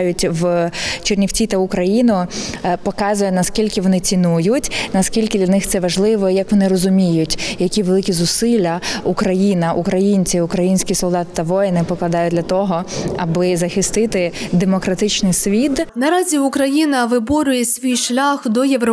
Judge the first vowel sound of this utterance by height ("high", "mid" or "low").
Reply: high